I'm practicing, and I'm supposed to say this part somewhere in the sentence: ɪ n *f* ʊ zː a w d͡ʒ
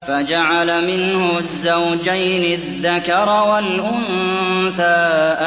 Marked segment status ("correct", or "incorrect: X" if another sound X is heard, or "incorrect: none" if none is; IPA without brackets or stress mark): incorrect: h